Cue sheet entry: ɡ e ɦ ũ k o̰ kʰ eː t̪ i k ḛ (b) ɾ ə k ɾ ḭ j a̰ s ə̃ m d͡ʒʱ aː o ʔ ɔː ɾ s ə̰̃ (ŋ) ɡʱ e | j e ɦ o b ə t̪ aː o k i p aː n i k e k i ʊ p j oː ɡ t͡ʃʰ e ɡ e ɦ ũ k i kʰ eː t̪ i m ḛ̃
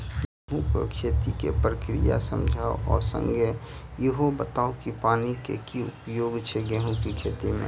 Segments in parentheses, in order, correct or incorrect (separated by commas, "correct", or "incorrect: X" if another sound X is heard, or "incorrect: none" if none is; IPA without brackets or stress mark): incorrect: p, correct